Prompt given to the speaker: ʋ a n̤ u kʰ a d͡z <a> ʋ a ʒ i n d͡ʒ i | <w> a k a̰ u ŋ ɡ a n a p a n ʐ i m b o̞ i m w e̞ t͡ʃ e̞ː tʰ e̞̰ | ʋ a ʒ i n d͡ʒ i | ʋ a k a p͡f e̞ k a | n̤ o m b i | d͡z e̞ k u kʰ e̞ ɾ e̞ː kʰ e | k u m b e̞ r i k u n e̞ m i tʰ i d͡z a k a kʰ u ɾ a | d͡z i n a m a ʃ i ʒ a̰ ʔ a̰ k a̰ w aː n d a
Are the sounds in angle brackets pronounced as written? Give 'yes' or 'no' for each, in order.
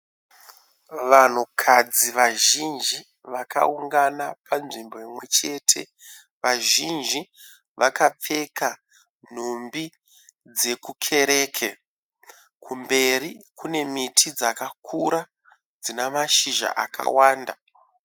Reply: no, no

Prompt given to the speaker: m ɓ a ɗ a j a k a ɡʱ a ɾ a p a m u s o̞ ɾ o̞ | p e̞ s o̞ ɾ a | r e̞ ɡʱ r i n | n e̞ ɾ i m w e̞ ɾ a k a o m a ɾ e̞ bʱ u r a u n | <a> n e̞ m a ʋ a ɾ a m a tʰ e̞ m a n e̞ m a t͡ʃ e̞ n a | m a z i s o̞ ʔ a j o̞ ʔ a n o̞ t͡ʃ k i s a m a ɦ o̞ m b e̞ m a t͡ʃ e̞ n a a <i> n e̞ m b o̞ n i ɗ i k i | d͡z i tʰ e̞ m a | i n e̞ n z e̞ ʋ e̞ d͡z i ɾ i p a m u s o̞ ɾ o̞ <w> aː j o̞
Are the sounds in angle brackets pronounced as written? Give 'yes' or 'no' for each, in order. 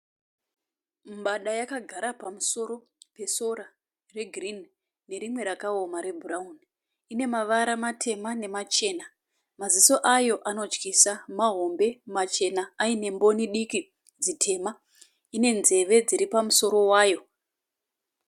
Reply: no, yes, yes

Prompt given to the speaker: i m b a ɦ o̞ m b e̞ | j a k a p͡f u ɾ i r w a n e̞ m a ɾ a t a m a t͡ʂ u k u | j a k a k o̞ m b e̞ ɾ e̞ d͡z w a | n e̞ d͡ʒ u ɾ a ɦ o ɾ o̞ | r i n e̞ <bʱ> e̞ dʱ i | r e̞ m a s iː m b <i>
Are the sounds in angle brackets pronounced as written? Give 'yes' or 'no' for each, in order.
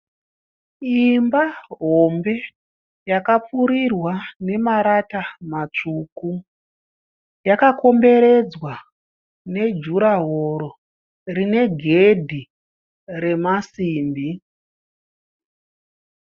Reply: no, yes

